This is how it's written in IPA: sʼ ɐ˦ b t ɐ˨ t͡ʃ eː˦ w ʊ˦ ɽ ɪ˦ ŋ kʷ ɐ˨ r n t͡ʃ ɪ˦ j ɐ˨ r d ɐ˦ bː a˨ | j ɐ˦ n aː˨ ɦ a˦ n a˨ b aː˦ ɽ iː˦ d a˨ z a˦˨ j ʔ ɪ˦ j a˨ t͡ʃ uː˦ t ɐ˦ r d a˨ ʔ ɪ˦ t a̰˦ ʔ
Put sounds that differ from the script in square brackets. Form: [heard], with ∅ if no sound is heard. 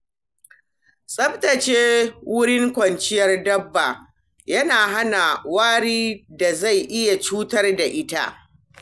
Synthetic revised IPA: sʼ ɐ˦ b t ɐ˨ t͡ʃ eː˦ w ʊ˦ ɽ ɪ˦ ŋ kʷ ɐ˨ [∅] n t͡ʃ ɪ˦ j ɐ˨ r d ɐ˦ bː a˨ | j ɐ˦ n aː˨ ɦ a˦ n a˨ [w] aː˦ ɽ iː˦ d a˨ z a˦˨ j ʔ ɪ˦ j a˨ t͡ʃ uː˦ t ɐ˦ r d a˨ ʔ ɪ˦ t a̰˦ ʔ